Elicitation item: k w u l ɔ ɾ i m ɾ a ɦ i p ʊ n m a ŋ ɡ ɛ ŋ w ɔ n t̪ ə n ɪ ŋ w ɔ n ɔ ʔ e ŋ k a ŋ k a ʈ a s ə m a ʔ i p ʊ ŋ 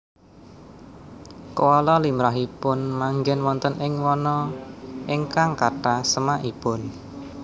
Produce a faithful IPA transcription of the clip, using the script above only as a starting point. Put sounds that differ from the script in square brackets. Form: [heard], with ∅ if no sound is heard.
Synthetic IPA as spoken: k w [ɔ] l ɔ [l] i m ɾ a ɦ i p ʊ n m a ŋ ɡ ɛ [n] w ɔ n t̪ ə n ɪ ŋ w ɔ n ɔ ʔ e ŋ k a ŋ k a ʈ a s ə m a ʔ i p ʊ [n]